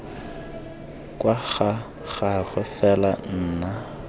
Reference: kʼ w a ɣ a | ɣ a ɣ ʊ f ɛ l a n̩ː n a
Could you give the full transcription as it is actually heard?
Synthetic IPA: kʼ w a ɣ a | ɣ a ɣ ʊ f ɛ l a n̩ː n a